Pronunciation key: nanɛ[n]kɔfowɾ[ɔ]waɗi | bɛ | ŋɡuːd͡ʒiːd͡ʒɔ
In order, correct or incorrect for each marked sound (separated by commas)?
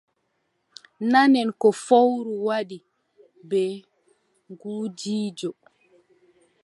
correct, incorrect